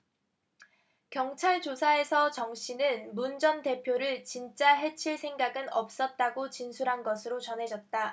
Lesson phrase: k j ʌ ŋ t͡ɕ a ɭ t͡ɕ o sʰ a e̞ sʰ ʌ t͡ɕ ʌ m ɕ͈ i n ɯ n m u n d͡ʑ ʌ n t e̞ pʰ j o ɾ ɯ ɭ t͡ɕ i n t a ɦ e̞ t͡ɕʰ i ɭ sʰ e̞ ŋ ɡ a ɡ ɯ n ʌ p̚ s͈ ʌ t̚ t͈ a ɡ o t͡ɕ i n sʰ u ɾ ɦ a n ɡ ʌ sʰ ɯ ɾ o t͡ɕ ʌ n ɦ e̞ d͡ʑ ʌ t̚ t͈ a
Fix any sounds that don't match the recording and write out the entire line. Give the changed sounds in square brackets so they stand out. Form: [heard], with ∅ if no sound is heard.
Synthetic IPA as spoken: k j ʌ ŋ [t͡ɕʰ] a ɭ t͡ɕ o sʰ a e̞ sʰ ʌ t͡ɕ ʌ [ŋ] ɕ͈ i n ɯ n m u n d͡ʑ ʌ n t e̞ pʰ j o ɾ ɯ ɭ t͡ɕ i n [t͡ɕ͈] a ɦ e̞ t͡ɕʰ i ɭ sʰ e̞ ŋ ɡ a ɡ ɯ n ʌ p̚ s͈ ʌ t̚ t͈ a ɡ o t͡ɕ i n sʰ u ɾ ɦ a n ɡ ʌ sʰ ɯ ɾ o t͡ɕ ʌ n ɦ e̞ d͡ʑ ʌ t̚ t͈ a